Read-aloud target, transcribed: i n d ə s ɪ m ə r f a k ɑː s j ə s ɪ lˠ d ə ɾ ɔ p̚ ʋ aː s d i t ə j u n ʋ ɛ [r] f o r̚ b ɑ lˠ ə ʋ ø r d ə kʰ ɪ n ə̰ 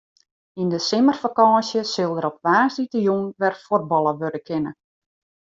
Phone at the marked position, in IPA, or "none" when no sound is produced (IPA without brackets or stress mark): r